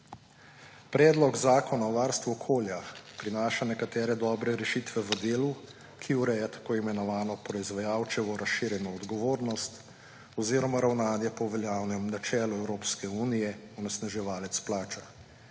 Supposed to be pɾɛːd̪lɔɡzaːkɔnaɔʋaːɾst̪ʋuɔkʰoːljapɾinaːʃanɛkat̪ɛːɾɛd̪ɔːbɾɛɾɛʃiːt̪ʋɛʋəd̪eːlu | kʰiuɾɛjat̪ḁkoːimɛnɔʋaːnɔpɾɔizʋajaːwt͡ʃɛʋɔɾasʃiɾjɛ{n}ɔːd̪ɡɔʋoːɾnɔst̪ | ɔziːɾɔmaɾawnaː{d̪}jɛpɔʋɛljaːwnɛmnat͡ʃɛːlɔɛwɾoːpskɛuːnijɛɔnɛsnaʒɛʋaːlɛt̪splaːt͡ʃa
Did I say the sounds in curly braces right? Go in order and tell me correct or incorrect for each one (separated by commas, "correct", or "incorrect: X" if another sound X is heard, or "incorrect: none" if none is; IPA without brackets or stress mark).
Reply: correct, correct